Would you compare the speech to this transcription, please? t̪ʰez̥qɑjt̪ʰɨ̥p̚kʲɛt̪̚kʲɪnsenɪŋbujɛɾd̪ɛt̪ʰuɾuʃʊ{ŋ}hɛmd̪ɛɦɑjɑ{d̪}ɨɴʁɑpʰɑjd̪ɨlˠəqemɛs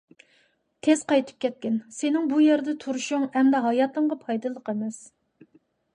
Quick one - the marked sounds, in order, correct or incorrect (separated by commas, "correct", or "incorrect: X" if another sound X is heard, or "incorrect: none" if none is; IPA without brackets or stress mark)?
correct, incorrect: t̪